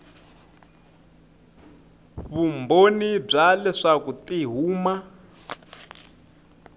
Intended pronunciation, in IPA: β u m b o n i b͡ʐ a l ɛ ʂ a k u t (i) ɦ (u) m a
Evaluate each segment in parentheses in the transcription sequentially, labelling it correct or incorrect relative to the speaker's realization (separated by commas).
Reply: correct, incorrect